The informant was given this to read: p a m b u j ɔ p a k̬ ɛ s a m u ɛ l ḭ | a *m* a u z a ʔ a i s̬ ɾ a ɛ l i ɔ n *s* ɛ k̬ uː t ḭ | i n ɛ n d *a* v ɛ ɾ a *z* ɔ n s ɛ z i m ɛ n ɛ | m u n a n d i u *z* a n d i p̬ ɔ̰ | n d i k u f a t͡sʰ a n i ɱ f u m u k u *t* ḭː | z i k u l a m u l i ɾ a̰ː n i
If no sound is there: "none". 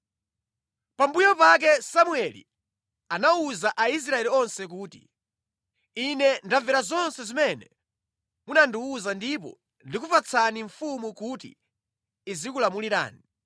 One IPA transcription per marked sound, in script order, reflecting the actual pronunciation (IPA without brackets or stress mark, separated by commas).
n, s, a, z, z, t